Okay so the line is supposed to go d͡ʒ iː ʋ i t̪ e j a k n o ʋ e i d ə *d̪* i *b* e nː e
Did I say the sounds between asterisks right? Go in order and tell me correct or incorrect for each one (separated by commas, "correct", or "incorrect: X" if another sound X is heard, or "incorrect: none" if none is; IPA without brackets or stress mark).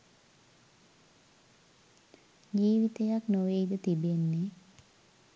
incorrect: t̪, correct